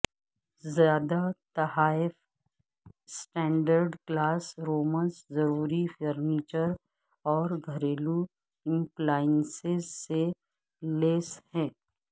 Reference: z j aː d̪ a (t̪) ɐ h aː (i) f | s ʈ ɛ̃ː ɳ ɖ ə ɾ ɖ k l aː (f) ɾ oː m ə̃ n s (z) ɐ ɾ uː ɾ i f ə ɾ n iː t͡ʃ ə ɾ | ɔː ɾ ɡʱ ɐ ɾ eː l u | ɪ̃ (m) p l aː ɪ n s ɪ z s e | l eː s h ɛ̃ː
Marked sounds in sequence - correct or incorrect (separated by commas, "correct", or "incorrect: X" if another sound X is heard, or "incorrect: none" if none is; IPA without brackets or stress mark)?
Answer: correct, incorrect: ɪ, incorrect: s, correct, correct